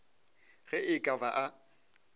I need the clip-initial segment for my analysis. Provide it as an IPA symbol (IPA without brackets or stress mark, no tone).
ɣ